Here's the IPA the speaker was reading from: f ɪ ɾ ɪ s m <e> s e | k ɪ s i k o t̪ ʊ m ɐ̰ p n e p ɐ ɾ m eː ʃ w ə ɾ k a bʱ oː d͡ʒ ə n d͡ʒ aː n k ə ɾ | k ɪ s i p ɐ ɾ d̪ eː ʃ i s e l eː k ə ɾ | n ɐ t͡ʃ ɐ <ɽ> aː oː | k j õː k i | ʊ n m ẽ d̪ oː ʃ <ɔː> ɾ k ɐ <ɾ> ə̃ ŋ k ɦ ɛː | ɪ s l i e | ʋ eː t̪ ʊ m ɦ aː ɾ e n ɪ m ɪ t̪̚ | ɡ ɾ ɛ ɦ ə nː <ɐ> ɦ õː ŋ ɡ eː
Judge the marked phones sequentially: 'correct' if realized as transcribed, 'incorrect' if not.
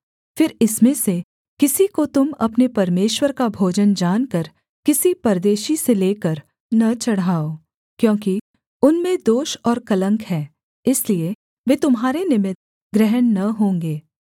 incorrect, correct, correct, incorrect, correct

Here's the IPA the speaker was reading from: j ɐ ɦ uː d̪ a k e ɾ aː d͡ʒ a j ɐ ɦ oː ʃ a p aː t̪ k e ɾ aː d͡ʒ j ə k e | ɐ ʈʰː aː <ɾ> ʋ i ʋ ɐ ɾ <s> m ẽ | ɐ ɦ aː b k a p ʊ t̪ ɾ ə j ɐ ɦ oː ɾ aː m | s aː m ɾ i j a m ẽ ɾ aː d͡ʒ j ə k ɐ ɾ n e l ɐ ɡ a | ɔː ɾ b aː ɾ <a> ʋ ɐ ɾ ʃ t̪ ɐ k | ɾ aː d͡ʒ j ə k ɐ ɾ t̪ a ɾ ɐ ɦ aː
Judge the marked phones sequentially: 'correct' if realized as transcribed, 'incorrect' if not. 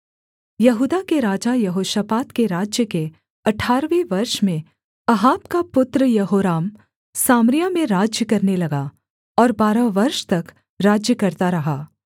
correct, incorrect, correct

